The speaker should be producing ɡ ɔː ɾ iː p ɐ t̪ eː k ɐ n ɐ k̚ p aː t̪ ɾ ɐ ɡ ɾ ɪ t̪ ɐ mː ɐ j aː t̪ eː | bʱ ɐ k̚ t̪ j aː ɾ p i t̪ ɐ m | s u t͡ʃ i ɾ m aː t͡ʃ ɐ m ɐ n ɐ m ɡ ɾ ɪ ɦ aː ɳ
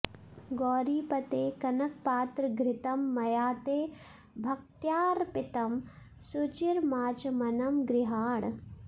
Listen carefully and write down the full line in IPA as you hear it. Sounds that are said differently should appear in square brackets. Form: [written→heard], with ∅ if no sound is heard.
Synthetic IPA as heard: ɡ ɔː ɾ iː p ɐ t̪ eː k ɐ n ɐ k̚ p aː t̪ ɾ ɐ ɡ ɾ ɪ t̪ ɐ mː ɐ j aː t̪ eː | bʱ ɐ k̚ t̪ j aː ɾ p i t̪ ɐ m | s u t͡ʃ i ɾ m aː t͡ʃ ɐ m ɐ n ɐ m ɡ ɾ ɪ ɦ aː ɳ